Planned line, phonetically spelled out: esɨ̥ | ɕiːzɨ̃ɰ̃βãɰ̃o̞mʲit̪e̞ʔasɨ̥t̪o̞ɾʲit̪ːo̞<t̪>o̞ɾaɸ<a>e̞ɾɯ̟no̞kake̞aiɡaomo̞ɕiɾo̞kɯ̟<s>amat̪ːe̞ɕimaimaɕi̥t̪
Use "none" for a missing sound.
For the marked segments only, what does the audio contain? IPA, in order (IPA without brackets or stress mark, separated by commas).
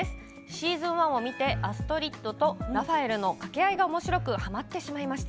t̪, a, h